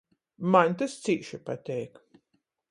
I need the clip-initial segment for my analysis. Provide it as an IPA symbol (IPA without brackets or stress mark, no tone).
m